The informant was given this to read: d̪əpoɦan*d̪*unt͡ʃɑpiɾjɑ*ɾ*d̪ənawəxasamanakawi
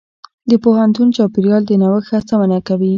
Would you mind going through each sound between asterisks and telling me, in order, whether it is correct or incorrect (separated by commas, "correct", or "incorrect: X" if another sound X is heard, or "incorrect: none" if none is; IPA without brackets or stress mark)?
incorrect: t̪, incorrect: l